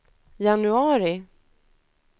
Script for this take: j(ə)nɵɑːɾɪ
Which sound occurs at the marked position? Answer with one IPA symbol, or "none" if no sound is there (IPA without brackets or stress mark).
a